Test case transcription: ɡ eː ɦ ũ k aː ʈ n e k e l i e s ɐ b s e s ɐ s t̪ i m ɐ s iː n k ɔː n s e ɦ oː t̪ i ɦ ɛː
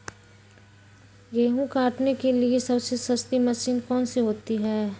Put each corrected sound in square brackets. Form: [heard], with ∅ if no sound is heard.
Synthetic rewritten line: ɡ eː ɦ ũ k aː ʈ n e k e l i e s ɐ b s e s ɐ s t̪ i m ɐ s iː n k ɔː n s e ɦ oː t̪ i ɦ ɛː